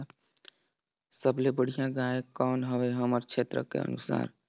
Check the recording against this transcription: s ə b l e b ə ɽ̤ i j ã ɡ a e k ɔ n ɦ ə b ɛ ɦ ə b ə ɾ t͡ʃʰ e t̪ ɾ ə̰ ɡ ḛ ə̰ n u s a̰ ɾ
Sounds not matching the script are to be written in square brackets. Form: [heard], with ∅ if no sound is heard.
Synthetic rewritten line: s ə b l e b ə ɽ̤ i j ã ɡ a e k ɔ n ɦ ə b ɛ ɦ ə [m] ə ɾ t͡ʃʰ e t̪ ɾ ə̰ [k] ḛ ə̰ n u s a̰ ɾ